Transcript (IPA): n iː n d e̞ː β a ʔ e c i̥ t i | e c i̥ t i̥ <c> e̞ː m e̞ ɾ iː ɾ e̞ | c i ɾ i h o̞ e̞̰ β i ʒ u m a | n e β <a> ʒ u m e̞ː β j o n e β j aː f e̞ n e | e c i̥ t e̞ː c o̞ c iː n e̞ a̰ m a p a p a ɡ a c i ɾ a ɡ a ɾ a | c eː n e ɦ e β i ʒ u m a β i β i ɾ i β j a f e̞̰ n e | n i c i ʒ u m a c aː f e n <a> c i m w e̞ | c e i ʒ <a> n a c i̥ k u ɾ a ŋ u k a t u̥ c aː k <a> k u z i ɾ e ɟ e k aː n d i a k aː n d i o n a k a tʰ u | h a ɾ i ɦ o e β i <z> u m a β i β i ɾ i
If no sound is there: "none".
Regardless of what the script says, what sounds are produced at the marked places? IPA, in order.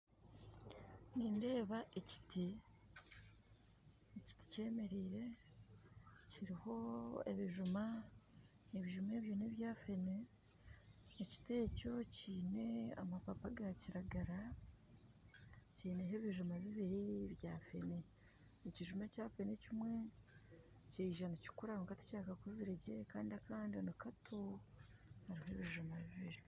c, i, e, a, a, ʒ

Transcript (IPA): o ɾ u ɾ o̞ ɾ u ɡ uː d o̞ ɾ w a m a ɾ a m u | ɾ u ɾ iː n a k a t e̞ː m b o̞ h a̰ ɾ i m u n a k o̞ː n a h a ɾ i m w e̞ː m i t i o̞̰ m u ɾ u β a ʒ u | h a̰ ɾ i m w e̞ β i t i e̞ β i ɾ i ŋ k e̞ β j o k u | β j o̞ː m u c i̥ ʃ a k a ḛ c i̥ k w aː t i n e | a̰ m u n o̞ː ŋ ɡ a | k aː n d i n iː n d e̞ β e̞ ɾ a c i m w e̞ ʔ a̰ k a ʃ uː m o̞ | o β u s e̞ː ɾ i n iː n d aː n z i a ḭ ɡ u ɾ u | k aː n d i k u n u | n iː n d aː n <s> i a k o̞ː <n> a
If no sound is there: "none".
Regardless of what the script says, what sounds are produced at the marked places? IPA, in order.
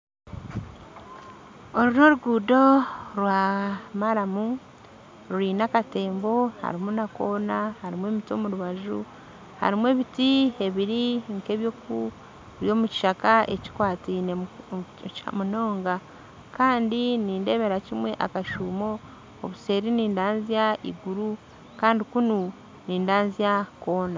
z, n

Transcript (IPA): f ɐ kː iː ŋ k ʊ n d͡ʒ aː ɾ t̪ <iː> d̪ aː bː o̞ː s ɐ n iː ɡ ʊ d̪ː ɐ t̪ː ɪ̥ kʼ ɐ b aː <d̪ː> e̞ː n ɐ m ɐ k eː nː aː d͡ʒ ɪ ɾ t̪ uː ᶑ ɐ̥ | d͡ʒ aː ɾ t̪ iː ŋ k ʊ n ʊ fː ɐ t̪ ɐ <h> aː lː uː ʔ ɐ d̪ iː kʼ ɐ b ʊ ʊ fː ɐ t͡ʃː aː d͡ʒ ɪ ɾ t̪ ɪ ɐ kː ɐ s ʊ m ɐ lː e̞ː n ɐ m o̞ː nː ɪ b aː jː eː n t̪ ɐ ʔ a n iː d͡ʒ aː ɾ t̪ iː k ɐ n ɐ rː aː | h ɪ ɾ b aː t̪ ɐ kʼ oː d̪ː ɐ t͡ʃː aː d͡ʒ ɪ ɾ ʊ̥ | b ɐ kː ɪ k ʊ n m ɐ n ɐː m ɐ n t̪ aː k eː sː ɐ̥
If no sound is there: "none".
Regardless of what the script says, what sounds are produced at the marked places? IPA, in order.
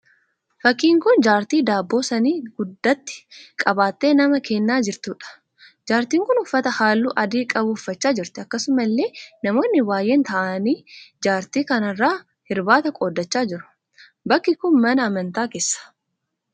iː, t̪ː, h

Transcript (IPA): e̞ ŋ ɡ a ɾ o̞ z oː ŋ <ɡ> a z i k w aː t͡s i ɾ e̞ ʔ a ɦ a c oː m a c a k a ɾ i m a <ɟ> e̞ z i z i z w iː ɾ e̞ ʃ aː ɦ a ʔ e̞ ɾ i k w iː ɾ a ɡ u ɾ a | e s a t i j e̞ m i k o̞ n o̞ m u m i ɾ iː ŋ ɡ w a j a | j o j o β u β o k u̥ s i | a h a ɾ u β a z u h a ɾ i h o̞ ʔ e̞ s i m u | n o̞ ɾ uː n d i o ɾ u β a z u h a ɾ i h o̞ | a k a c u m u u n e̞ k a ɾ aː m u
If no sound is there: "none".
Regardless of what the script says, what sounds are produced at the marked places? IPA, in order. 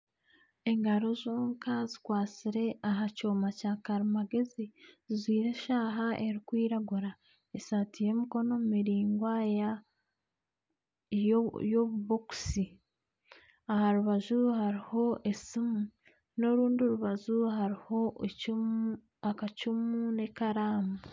k, ɡ

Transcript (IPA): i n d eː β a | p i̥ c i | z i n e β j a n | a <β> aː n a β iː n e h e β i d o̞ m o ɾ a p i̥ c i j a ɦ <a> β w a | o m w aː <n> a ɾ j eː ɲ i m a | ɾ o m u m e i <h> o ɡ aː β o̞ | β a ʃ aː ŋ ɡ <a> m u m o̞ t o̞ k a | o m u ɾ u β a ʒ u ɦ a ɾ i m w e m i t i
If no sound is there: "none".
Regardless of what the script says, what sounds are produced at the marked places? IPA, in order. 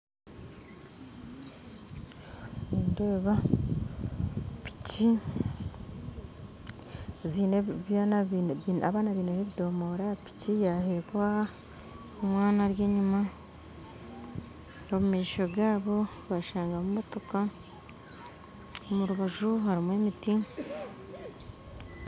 β, e, n, ʃ, a

